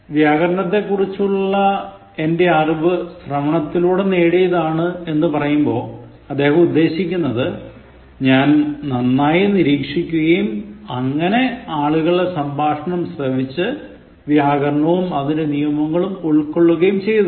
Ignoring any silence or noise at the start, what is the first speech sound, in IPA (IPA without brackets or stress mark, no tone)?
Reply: ʋ